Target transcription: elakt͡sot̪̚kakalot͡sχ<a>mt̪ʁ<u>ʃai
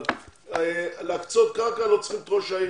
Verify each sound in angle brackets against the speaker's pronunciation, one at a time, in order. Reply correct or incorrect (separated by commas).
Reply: incorrect, incorrect